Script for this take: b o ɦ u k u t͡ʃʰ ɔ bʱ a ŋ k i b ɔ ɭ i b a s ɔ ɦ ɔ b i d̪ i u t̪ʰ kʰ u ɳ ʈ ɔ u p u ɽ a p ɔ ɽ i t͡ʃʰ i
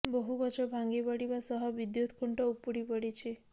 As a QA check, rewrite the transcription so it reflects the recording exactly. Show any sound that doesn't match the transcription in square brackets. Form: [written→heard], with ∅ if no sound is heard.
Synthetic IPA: b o ɦ u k [u→ɔ] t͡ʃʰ ɔ bʱ a ŋ [k→ɡ] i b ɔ [ɭ→ɽ] i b a s ɔ ɦ ɔ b i d̪ [i→j] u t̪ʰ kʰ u ɳ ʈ ɔ u p u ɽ [a→i] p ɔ ɽ i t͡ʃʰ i